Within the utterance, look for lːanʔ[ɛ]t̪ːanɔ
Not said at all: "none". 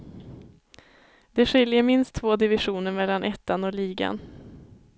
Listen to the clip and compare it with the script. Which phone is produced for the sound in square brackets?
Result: ɛ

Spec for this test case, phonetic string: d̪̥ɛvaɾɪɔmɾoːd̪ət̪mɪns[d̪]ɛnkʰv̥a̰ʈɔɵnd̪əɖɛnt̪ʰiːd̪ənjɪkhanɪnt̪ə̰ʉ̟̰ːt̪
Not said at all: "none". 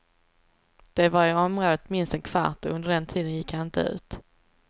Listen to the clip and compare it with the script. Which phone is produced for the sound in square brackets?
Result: t̪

